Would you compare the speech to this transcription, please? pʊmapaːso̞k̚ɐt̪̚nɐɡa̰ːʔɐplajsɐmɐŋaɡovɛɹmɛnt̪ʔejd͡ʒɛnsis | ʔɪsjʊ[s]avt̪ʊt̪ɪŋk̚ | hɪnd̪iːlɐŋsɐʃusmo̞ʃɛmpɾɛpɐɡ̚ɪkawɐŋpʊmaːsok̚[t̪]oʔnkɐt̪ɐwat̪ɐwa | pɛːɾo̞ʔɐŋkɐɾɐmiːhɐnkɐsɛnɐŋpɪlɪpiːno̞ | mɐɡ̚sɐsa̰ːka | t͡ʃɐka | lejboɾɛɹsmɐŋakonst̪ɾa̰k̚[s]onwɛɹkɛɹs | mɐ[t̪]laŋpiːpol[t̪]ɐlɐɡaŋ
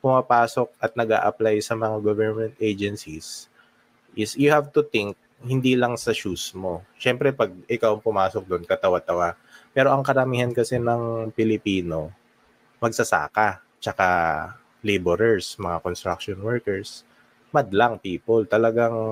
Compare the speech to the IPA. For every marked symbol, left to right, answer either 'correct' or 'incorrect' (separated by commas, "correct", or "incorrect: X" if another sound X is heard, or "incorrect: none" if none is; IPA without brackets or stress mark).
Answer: incorrect: h, incorrect: d̪, incorrect: ʃ, incorrect: d̪, correct